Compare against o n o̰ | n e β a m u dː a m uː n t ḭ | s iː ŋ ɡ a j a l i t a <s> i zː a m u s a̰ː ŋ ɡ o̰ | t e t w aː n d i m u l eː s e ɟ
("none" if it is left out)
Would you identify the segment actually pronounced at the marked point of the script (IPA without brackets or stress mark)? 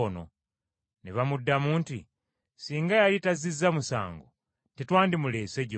z